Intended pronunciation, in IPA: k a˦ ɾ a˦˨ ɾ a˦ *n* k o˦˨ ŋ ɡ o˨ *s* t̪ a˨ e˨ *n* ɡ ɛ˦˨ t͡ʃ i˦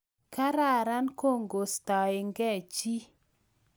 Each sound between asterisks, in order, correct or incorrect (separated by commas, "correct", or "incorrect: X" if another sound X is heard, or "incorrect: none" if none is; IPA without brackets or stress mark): correct, correct, incorrect: ŋ